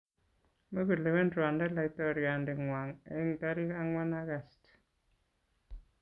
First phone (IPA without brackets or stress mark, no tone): m